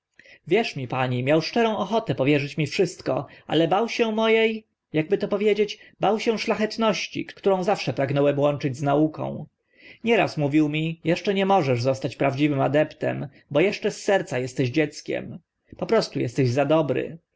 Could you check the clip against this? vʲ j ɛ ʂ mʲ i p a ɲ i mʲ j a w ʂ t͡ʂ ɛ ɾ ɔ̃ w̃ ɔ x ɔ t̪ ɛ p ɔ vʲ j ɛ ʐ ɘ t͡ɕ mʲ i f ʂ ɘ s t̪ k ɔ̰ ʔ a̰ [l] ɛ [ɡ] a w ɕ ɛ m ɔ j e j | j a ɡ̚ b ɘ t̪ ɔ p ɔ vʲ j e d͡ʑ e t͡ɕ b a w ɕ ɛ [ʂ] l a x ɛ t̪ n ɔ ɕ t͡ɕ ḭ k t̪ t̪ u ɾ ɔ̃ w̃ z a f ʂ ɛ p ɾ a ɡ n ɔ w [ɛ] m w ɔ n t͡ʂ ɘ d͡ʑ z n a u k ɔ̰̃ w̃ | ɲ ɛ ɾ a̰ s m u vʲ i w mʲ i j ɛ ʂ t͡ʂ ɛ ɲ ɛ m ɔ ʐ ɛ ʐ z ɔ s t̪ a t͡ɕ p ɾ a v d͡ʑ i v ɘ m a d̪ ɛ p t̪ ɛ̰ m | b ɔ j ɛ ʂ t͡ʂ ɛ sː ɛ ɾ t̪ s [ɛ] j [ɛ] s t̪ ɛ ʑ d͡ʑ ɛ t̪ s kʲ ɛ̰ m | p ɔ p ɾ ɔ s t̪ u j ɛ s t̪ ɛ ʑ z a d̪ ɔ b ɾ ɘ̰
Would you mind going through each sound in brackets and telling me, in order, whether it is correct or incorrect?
correct, incorrect: b, correct, correct, incorrect: a, correct

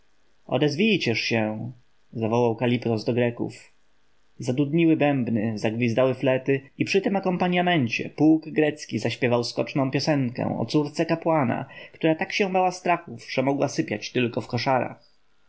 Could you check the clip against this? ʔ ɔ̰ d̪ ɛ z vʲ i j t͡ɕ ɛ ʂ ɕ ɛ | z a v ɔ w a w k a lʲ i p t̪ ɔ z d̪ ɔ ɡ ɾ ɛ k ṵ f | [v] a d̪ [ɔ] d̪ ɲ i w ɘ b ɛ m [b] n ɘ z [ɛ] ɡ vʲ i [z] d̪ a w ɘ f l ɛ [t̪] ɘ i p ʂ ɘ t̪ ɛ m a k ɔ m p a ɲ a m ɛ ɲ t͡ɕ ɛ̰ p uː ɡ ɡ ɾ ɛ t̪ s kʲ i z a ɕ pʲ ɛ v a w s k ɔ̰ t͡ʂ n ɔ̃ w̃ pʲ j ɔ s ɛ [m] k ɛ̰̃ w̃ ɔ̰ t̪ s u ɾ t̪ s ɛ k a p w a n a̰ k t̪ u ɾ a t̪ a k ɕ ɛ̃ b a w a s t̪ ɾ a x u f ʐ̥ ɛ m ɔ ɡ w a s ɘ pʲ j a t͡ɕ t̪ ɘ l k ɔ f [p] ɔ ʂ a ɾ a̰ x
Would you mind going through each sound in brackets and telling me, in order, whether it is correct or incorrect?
incorrect: z, incorrect: u, correct, incorrect: a, correct, correct, incorrect: ŋ, incorrect: k

